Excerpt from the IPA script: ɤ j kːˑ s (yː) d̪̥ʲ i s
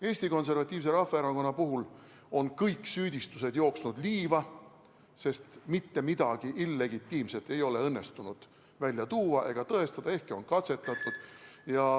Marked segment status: correct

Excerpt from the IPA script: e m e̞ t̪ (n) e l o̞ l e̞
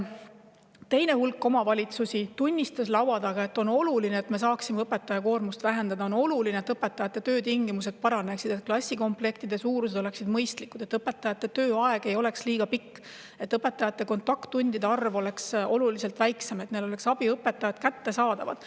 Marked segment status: correct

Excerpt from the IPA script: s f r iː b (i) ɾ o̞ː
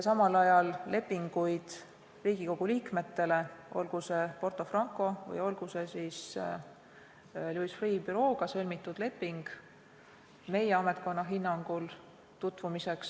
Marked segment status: incorrect: y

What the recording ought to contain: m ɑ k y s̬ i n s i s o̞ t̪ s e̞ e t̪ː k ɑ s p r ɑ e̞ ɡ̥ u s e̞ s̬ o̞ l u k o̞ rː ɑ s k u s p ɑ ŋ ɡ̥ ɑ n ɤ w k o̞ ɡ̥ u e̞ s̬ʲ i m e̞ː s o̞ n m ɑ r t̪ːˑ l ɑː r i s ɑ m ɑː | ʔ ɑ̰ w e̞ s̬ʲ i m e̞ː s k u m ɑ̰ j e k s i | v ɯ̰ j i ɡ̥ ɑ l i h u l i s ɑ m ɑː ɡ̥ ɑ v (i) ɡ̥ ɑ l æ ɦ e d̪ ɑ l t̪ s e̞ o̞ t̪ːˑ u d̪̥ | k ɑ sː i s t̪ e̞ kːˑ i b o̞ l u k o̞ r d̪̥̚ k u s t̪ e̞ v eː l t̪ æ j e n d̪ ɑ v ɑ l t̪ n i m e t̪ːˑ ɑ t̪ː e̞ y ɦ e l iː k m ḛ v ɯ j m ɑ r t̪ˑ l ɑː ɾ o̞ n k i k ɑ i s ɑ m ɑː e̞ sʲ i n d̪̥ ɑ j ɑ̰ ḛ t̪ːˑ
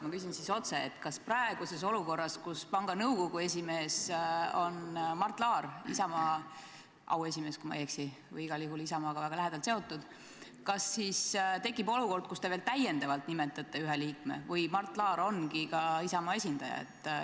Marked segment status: incorrect: æ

